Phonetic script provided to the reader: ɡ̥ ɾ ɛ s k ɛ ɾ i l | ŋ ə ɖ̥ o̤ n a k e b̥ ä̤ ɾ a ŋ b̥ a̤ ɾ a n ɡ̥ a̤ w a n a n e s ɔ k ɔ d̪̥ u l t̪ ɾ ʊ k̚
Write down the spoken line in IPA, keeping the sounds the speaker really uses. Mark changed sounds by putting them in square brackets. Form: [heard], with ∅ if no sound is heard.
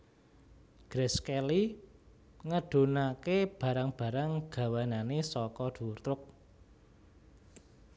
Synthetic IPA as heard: ɡ̥ ɾ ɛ s k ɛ [l] i [∅] | ŋ ə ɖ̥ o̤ n a k e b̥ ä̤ ɾ a ŋ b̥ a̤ ɾ a [ŋ] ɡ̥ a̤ w a n a n e s ɔ k ɔ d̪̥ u [r] t̪ ɾ ʊ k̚